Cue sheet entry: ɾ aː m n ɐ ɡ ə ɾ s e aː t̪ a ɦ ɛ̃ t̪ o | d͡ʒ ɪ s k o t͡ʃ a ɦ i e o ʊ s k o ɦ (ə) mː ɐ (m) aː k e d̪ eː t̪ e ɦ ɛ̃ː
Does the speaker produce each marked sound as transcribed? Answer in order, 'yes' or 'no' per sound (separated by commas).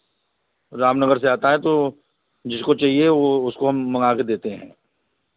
no, no